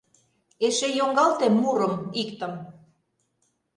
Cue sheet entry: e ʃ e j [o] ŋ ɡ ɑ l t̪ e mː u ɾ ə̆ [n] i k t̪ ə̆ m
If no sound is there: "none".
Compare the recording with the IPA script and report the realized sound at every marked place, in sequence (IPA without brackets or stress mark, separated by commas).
o, m